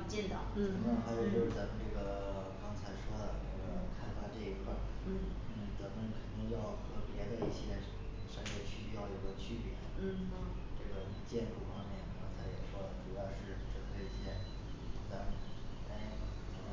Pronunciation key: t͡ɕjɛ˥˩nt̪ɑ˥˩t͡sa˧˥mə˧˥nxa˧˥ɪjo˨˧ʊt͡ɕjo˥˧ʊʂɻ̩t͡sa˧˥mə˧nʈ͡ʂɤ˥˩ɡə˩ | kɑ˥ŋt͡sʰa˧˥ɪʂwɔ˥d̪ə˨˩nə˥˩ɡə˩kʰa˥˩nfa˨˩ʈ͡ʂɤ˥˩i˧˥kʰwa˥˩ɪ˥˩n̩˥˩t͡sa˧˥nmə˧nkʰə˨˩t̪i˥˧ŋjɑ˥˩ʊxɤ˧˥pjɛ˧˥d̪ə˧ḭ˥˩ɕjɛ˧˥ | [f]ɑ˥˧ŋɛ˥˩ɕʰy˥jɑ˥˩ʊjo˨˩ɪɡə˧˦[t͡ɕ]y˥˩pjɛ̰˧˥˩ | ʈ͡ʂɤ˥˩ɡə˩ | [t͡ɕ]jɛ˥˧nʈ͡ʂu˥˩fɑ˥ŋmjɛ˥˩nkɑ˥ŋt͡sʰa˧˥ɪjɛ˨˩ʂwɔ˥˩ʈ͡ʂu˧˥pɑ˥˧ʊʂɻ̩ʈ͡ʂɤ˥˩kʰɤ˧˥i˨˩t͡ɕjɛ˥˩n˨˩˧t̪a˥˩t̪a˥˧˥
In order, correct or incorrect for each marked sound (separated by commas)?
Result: incorrect, incorrect, correct